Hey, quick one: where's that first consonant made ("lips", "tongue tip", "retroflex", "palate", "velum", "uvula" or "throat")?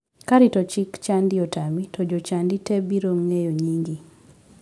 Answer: velum